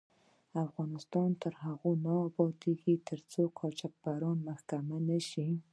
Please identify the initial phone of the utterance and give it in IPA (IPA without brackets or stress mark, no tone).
a